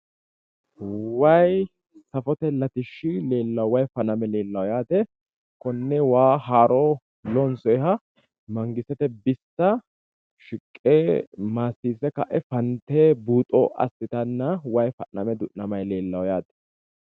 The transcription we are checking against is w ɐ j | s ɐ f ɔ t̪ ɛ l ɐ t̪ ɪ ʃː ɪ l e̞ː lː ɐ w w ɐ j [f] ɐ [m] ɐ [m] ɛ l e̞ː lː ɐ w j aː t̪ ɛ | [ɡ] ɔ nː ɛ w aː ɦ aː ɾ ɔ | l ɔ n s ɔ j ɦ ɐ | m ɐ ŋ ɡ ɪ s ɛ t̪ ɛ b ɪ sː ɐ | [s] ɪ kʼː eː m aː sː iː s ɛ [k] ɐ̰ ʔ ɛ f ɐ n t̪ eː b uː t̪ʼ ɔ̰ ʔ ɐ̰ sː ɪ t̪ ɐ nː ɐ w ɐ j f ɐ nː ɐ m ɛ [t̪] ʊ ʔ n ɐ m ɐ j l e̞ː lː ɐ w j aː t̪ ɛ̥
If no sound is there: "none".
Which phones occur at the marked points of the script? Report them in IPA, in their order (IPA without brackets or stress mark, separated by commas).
f, n, m, k, ʃ, k, d̪